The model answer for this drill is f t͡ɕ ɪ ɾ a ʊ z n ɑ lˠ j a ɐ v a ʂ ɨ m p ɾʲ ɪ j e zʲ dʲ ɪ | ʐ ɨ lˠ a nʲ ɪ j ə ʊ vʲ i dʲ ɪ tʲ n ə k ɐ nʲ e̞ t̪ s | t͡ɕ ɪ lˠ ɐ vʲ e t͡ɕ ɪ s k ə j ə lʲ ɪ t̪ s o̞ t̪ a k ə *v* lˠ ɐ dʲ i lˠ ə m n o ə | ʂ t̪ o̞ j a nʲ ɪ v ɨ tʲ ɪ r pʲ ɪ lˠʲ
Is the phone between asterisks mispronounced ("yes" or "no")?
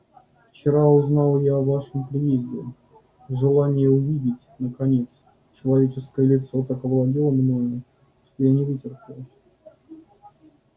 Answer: no